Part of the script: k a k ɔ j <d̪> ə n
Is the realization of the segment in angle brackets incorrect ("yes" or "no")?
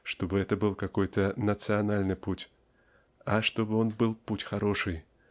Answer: yes